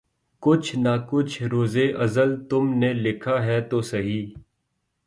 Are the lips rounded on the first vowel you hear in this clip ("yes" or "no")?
yes